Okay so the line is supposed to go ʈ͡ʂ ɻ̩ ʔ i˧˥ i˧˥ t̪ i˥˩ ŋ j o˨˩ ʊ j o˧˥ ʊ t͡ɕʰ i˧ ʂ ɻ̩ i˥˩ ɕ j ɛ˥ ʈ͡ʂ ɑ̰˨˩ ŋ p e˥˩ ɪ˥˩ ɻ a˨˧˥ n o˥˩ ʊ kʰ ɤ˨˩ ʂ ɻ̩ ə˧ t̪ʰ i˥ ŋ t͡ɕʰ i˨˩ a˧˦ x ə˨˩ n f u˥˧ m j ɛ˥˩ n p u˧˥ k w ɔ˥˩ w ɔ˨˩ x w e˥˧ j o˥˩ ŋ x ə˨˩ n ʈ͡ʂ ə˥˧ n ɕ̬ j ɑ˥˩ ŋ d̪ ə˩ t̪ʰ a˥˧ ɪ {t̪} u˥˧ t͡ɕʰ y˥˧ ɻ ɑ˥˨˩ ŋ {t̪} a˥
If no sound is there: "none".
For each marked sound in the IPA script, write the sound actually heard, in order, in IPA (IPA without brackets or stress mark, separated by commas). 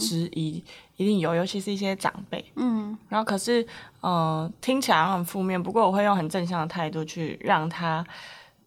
t̪, t̪ʰ